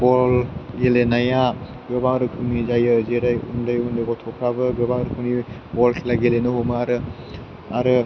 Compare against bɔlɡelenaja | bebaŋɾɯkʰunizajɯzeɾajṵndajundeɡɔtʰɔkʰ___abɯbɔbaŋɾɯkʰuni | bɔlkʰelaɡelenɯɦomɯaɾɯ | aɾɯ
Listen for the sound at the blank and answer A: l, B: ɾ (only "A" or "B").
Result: B